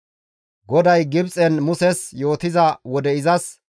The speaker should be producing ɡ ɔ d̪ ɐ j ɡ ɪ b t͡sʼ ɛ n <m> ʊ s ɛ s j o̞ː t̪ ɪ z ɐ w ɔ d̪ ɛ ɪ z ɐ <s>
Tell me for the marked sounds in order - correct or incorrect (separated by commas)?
correct, correct